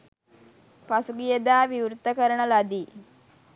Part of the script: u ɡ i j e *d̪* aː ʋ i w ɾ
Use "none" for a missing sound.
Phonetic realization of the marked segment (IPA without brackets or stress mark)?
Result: d̪